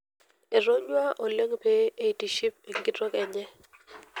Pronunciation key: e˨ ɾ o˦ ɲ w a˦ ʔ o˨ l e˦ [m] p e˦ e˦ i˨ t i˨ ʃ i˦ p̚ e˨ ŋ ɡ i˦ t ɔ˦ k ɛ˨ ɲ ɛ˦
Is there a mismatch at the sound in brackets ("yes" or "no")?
yes